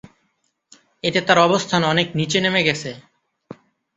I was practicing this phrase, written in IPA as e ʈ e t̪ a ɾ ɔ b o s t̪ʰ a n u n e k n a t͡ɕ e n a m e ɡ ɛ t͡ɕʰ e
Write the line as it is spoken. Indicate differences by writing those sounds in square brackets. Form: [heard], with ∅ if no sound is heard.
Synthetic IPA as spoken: e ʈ e t̪ a ɾ ɔ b o s t̪ʰ a n [ɔ] n e k n [i] t͡ɕ e n [e] m e ɡ ɛ t͡ɕʰ e